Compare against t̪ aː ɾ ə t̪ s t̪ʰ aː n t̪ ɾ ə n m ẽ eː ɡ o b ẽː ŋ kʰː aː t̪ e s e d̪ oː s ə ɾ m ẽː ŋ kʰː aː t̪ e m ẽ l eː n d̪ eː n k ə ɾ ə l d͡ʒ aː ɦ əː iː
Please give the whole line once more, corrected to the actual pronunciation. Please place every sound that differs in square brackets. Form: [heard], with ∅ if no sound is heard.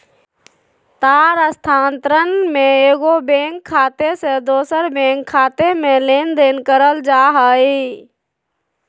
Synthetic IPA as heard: t̪ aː ɾ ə [∅] s t̪ʰ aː n t̪ ɾ ə n m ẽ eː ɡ o b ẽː ŋ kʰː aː t̪ e s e d̪ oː s ə ɾ [b] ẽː ŋ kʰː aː t̪ e m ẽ l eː n d̪ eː n k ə ɾ ə l d͡ʒ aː ɦ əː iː